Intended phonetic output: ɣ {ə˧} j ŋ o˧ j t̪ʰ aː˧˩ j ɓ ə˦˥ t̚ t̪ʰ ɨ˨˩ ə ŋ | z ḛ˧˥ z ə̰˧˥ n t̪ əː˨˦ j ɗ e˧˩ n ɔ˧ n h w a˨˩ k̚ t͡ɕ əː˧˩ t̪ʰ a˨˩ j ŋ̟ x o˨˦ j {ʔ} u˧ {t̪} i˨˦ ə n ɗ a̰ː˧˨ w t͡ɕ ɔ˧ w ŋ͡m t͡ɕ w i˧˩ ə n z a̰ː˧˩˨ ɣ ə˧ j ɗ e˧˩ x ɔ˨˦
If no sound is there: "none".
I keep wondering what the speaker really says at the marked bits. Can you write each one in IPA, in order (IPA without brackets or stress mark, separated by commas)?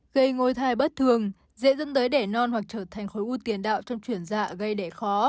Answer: ə˧, ʔ, t̪